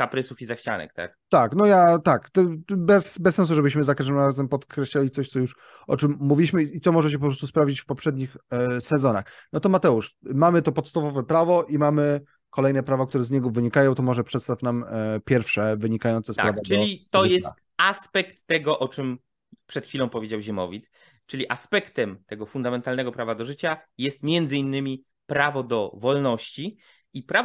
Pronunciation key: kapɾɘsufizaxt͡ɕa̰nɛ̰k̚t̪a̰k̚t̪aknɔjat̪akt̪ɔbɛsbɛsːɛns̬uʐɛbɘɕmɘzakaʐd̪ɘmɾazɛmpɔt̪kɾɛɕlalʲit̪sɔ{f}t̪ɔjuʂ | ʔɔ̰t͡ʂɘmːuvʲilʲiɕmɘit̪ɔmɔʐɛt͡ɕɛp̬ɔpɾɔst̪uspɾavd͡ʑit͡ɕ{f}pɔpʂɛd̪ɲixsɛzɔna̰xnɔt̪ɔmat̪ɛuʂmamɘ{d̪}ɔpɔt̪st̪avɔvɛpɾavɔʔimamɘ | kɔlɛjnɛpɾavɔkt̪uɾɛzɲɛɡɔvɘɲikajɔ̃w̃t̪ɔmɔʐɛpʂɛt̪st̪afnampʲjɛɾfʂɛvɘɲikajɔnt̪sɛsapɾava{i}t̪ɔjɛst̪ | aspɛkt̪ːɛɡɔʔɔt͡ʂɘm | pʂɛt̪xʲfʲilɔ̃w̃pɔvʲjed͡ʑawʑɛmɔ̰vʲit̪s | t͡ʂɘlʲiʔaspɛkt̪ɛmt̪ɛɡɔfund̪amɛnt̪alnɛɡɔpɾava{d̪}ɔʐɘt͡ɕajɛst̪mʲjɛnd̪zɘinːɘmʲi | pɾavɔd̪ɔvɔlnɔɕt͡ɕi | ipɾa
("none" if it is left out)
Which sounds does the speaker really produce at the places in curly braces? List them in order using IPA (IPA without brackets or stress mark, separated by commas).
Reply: ɕ, f, t̪, i, d̪